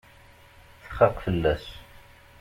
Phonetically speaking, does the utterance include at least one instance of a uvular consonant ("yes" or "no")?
yes